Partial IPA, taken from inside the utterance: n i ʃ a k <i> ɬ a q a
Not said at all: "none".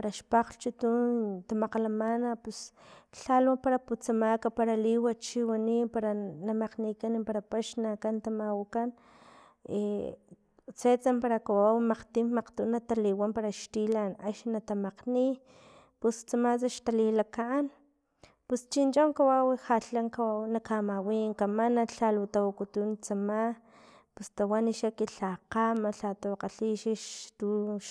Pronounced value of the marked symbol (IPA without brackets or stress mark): i